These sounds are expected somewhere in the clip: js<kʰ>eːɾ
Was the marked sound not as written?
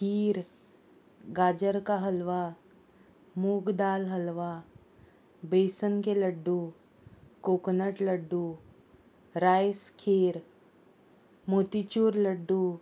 no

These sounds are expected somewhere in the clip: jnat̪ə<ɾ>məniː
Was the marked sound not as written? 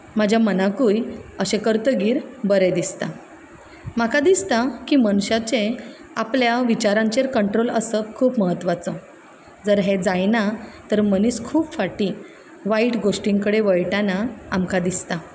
no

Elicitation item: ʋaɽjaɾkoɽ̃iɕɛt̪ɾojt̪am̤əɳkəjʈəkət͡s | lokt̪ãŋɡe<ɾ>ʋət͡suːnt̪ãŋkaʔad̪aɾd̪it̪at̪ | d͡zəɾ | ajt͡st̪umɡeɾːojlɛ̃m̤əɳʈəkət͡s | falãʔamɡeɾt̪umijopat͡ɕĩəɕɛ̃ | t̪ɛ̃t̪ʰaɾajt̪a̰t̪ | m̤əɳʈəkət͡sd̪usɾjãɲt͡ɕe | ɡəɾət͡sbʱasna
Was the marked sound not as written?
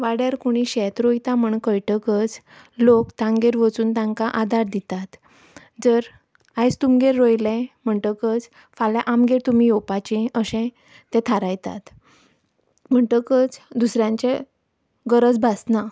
no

